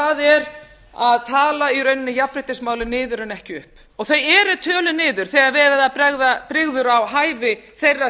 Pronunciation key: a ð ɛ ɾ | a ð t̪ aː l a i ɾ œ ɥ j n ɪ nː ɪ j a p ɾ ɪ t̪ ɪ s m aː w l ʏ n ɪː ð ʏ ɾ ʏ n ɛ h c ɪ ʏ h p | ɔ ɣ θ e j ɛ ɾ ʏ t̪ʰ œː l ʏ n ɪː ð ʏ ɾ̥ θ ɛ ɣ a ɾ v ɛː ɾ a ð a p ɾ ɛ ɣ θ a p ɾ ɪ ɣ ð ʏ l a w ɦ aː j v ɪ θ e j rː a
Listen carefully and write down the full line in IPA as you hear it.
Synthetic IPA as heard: a ð ɛ ɾ | a ð t̪ʰ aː l a i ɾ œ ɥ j n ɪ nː ɪ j a p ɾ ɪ t̪ ɪ s m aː w l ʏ n ɪː ð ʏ ɾ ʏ n ɛ h c ɪ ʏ h p | ɔ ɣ θ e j ɛ ɾ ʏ t̪ʰ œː l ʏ n ɪː ð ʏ ɾ̥ θ ɛ ɣ a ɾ v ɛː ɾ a ð a p ɾ ɛ ɣ ð a p ɾ ɪ ɣ ð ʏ ɾ a w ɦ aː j v ɪ θ e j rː a